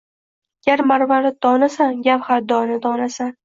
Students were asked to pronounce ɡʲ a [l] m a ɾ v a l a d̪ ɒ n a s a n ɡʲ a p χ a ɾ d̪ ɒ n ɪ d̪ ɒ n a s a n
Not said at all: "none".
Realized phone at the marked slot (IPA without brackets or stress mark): ɾ